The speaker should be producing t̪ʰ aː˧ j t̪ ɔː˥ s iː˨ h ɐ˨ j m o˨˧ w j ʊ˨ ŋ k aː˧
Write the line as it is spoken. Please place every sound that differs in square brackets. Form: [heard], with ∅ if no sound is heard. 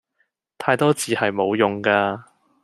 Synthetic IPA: t̪ʰ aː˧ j t̪ ɔː˥ [t͡s] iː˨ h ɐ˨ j m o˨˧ w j ʊ˨ ŋ k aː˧